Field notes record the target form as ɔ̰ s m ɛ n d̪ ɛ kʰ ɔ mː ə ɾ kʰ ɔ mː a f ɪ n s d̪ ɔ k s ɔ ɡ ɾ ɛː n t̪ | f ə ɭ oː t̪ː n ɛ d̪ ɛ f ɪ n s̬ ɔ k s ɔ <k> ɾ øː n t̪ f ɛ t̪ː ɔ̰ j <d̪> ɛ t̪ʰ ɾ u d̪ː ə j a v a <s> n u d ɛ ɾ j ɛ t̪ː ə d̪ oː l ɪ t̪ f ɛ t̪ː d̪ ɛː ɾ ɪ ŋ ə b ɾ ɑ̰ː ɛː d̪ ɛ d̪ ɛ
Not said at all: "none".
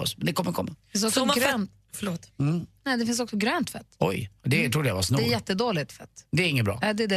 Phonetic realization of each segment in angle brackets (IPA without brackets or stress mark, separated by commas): ɡ, d̪, s